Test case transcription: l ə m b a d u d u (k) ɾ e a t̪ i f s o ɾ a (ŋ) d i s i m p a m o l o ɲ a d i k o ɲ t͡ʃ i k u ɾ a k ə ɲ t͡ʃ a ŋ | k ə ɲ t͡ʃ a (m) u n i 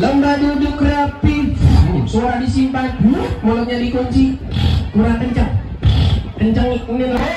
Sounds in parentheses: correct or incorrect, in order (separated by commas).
correct, incorrect, incorrect